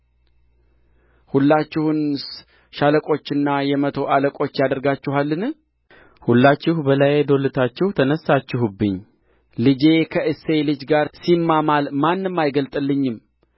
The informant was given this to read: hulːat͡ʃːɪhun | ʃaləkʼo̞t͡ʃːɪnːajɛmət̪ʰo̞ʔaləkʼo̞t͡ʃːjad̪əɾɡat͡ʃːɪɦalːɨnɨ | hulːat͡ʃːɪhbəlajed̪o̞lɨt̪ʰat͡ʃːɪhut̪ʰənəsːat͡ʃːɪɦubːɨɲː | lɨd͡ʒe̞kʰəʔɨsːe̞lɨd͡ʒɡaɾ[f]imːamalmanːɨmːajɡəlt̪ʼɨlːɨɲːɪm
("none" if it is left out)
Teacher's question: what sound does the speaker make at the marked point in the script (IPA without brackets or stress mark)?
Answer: s